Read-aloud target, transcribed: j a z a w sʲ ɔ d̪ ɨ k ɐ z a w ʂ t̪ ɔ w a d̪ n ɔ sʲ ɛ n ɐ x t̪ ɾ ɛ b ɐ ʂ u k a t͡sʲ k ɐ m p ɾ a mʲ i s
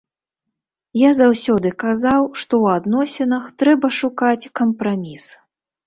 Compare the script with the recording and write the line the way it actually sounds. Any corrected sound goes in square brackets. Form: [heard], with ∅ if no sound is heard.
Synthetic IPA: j a z a w sʲ ɔ d̪ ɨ k [a] z a w ʂ t̪ ɔ w a d̪ n ɔ sʲ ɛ n ɐ x t̪ ɾ ɛ b ɐ ʂ u k a t͡sʲ k ɐ m p ɾ a mʲ i s